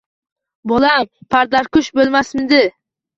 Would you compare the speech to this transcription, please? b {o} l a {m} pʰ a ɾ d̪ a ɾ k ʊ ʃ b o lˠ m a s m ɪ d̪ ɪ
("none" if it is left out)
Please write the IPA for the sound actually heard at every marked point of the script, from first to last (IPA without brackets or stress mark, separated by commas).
o, m